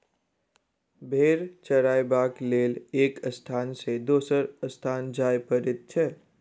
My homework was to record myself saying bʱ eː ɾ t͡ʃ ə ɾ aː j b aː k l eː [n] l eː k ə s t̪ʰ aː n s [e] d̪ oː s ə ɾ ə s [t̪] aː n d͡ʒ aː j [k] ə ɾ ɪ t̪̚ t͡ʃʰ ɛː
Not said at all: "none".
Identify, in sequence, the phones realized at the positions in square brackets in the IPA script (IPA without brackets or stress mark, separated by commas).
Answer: none, e, t̪ʰ, p